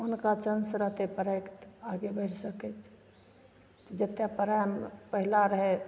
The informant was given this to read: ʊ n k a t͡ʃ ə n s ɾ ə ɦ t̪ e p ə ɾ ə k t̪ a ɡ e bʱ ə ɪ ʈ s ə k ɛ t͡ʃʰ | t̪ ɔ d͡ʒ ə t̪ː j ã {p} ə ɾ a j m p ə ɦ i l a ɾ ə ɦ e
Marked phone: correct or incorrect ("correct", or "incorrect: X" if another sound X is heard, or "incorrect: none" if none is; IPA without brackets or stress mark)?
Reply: correct